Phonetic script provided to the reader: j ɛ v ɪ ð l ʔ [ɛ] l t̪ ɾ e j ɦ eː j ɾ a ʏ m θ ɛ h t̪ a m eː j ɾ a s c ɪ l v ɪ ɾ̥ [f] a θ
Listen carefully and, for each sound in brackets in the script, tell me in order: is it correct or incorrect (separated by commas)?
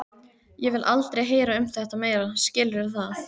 incorrect, incorrect